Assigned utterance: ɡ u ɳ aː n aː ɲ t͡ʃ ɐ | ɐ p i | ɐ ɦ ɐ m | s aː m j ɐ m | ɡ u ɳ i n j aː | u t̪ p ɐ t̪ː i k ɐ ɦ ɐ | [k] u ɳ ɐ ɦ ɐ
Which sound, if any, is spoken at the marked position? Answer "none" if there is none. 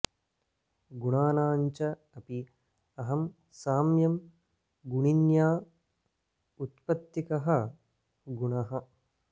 ɡ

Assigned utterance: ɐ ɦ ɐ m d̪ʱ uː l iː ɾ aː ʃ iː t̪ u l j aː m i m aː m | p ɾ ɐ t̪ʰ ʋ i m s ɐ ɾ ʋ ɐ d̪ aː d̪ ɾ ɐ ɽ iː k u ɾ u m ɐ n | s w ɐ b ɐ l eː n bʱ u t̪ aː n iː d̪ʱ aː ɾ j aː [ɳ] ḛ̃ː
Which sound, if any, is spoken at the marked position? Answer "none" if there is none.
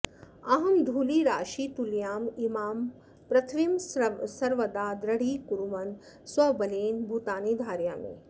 m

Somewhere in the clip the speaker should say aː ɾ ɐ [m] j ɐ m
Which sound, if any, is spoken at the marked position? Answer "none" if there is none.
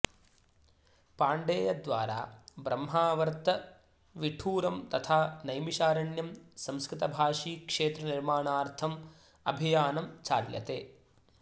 ɳ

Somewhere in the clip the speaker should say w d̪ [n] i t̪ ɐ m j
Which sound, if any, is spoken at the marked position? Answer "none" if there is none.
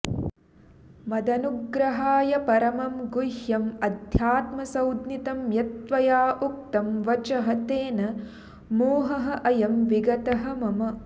n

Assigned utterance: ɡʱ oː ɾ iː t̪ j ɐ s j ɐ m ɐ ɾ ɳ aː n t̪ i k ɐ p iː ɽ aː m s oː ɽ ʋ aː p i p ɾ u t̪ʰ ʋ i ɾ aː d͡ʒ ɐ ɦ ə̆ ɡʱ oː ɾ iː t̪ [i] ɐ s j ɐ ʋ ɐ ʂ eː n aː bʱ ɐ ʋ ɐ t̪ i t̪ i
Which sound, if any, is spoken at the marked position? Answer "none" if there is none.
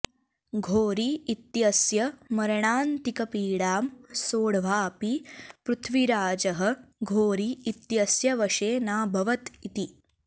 j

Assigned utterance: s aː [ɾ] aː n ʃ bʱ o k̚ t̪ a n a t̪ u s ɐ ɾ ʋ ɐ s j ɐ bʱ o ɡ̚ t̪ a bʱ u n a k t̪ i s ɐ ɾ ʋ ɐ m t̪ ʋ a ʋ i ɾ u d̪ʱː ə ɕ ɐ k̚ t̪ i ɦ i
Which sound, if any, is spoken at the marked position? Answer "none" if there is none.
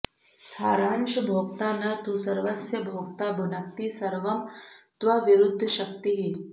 ɾ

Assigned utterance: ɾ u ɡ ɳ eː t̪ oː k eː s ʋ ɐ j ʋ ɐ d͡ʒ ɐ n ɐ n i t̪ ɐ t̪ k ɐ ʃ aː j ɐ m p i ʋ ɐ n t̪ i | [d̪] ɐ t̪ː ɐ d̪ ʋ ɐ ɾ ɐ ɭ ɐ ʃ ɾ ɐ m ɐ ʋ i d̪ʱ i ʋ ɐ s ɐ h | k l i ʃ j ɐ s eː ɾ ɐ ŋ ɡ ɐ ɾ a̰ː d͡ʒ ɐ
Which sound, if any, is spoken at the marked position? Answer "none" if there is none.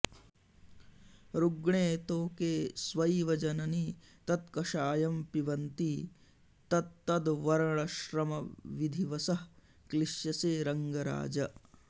t̪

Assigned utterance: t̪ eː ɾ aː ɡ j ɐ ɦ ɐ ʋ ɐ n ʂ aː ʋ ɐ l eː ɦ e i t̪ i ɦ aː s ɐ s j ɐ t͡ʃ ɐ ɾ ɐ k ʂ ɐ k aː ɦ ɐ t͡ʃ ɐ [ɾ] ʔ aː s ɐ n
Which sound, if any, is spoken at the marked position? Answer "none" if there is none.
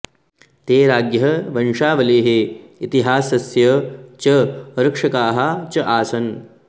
none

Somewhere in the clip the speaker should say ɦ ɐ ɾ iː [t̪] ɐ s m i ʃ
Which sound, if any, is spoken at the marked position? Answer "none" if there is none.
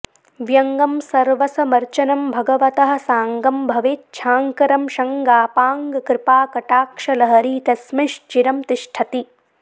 t̪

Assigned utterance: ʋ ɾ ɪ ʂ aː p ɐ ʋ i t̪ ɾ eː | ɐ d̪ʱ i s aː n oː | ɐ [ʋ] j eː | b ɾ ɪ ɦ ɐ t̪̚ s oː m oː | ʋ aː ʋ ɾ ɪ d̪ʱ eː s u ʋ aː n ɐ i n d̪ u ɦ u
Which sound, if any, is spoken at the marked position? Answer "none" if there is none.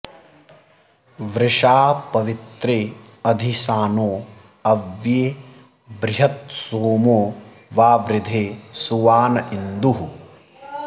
ʋ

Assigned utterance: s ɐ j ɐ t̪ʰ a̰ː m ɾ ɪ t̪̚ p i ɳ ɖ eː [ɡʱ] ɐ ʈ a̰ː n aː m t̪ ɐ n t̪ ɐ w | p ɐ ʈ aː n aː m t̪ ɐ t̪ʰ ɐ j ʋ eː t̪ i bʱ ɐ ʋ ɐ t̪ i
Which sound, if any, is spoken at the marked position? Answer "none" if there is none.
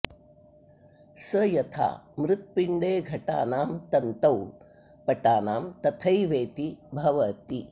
ɡʱ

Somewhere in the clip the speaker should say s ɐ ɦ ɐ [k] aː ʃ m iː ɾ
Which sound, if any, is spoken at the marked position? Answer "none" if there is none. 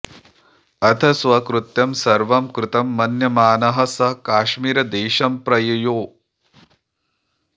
k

